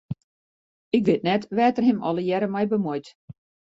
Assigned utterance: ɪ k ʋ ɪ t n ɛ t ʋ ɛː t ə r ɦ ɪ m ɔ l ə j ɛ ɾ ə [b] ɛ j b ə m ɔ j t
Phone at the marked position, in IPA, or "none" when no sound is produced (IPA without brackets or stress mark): m